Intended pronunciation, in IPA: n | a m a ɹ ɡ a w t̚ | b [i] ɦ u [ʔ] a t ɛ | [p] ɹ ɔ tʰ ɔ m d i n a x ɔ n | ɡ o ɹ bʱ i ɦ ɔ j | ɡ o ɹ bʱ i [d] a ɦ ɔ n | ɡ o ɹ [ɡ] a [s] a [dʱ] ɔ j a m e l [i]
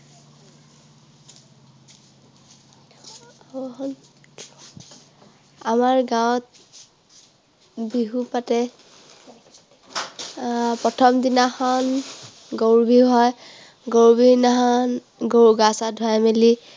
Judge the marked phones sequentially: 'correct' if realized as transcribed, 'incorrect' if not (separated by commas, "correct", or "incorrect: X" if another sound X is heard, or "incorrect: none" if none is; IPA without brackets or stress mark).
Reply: correct, incorrect: p, correct, incorrect: n, correct, correct, correct, correct